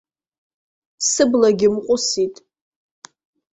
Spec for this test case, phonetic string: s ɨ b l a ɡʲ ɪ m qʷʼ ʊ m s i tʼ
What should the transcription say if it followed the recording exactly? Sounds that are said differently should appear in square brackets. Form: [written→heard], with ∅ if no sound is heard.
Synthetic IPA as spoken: s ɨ b l a ɡʲ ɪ m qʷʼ ʊ [m→∅] s i tʼ